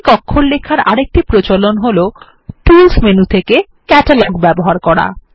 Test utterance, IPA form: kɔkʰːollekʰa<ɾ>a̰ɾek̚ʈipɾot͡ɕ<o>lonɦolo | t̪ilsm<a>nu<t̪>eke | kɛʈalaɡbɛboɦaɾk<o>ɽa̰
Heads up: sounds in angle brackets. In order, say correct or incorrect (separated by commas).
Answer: correct, correct, incorrect, incorrect, incorrect